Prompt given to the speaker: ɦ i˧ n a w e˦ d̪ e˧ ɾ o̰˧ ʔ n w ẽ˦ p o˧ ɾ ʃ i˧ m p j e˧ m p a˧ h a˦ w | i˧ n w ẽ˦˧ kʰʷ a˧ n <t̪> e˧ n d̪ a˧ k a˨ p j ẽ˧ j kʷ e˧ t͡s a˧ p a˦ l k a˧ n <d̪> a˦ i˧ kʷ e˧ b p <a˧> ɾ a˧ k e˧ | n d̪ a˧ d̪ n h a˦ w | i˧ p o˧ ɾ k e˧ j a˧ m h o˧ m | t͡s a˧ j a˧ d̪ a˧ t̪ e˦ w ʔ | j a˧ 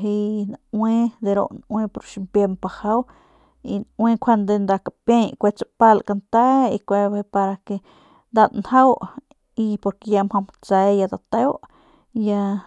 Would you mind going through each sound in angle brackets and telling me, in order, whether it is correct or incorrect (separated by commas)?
incorrect, incorrect, correct